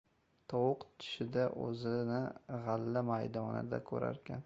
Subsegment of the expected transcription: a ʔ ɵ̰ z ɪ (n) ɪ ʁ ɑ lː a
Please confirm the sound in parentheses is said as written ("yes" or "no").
yes